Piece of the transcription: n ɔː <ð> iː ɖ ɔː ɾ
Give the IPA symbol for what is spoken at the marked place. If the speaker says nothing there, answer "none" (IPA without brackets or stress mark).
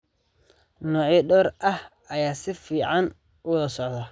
ʕ